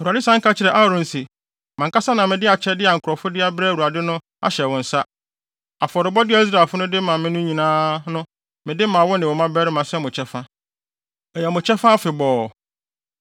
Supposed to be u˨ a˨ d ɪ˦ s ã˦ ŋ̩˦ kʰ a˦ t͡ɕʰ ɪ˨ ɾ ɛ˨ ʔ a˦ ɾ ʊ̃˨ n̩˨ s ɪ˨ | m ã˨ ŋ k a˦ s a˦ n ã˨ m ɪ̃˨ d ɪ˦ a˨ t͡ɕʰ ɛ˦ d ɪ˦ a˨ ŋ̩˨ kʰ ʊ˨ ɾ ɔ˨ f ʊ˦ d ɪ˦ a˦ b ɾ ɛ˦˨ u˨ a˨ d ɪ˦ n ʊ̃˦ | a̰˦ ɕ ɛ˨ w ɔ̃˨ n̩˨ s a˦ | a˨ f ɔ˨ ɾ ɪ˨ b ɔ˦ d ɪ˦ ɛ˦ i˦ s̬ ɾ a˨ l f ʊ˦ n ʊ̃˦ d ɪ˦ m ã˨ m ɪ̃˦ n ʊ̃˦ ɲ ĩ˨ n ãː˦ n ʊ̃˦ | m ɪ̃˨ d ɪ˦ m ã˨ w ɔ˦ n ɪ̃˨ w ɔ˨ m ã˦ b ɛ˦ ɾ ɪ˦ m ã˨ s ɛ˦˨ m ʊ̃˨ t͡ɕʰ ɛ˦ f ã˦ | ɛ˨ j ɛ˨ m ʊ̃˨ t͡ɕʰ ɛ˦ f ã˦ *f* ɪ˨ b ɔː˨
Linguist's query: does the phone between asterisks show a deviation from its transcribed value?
no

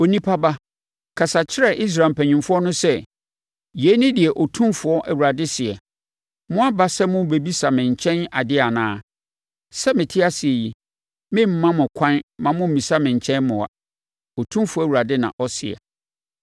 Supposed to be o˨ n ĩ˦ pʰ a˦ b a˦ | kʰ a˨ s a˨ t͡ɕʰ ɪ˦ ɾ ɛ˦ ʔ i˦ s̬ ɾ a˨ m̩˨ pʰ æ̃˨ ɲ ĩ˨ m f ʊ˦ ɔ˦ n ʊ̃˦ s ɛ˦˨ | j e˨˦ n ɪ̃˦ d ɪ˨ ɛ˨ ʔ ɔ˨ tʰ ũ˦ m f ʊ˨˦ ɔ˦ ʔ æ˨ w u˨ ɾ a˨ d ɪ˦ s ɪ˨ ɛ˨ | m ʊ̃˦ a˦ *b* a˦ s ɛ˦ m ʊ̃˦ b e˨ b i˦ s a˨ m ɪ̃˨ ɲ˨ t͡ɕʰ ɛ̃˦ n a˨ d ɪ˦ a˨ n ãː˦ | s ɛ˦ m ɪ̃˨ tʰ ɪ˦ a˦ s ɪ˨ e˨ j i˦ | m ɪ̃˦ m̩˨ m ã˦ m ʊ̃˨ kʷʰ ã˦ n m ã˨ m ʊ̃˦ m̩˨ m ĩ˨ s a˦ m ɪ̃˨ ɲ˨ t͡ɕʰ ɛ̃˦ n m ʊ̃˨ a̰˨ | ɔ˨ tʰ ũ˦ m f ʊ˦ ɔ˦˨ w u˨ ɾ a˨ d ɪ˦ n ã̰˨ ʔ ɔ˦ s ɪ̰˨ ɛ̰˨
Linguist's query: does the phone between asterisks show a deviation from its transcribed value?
no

